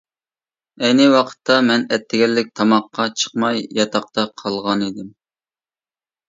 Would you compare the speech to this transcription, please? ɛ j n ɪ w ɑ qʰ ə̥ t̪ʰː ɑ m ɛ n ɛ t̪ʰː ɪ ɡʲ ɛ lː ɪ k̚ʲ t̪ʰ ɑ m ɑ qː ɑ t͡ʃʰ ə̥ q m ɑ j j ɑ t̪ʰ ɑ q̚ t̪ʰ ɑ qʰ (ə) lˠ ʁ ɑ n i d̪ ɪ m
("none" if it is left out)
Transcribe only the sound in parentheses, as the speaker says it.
ɑ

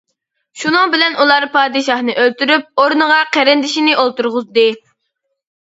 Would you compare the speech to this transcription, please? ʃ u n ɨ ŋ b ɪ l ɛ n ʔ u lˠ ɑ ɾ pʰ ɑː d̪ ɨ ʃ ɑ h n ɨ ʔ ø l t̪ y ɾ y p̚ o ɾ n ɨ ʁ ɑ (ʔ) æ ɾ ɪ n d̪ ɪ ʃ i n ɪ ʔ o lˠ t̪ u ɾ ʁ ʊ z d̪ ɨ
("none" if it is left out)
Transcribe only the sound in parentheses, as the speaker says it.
q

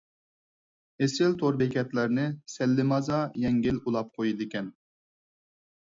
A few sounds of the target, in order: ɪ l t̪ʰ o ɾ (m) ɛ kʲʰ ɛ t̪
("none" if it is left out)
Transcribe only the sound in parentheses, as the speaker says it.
b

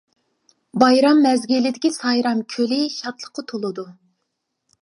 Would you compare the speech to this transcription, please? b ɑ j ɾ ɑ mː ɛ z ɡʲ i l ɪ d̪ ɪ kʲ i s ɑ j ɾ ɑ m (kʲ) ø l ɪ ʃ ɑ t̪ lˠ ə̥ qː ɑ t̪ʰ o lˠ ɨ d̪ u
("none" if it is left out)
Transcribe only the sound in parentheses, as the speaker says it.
kʲʰ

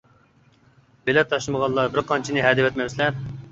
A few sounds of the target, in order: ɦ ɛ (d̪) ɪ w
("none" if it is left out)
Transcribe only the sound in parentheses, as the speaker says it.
d̪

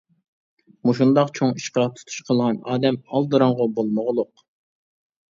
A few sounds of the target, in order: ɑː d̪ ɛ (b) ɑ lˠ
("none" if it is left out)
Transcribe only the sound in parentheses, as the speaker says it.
m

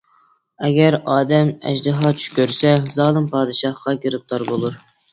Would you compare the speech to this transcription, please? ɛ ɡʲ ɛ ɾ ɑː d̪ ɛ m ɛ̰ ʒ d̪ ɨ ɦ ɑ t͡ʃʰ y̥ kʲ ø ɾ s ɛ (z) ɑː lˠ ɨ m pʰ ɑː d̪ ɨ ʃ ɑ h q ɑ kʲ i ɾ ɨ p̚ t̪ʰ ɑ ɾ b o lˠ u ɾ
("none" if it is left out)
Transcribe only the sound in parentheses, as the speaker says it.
z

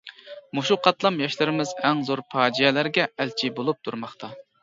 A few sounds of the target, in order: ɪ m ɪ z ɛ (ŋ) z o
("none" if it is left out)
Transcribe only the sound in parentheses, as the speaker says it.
ŋ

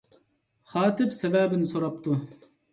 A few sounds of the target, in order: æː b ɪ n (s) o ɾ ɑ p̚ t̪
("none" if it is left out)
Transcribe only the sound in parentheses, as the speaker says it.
s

